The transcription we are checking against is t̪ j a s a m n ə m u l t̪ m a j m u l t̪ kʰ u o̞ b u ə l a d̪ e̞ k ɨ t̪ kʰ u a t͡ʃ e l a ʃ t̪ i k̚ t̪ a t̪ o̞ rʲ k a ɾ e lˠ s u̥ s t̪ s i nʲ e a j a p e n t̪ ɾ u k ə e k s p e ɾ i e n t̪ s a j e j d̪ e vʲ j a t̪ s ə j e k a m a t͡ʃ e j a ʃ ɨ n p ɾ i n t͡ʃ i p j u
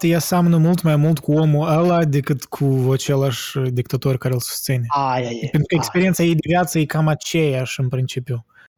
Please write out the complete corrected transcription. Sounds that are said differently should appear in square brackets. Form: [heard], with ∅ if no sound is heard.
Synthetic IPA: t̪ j a s a m n ə m u l t̪ m a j m u l t̪ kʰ u o̞ [m] u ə l a d̪ e̞ k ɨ t̪ kʰ u a t͡ʃ e l a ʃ [d̪] i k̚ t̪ a t̪ o̞ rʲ k a ɾ e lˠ s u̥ s t̪ s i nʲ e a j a p e n t̪ ɾ u k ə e k s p e ɾ i e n t̪ s a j e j d̪ e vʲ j a t̪ s ə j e k a m a t͡ʃ e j a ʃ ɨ n p ɾ i n t͡ʃ i p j u